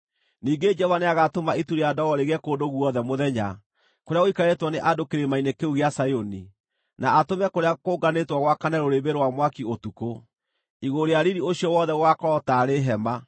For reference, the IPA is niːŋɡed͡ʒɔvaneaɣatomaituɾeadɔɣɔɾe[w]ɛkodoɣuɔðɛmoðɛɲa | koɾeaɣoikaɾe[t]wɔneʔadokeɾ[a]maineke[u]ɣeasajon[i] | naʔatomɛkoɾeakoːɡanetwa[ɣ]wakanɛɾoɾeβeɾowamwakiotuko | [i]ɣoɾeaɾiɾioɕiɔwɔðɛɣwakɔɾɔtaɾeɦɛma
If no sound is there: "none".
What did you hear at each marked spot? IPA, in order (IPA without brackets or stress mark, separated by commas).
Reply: ɣ, t, e, u, i, ɣ, i